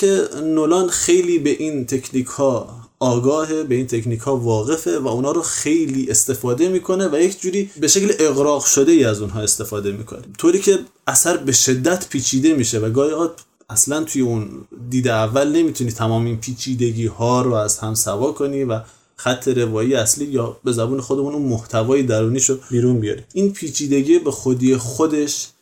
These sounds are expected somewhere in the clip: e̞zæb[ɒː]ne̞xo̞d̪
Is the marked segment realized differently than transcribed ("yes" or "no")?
yes